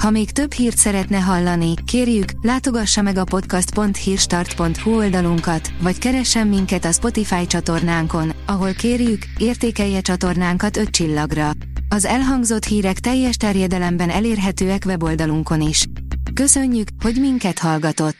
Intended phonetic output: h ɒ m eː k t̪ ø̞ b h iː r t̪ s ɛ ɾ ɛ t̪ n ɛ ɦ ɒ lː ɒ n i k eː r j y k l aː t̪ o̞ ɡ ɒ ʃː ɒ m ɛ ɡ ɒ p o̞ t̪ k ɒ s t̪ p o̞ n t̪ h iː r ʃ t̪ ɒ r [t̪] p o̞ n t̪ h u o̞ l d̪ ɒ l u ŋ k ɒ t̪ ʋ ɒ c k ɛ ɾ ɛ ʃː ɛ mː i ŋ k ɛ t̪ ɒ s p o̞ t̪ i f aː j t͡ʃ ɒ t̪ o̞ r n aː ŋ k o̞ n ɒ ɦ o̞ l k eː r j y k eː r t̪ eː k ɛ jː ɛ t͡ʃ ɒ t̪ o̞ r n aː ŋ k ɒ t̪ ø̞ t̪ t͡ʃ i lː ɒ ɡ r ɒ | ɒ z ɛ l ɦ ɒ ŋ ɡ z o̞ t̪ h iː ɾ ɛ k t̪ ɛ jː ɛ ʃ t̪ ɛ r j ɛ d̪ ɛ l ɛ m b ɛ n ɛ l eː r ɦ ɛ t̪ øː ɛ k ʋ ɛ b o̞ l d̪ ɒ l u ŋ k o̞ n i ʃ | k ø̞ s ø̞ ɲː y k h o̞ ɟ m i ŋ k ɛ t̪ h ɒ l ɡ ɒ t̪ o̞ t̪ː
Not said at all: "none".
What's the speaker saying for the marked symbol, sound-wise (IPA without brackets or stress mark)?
t̪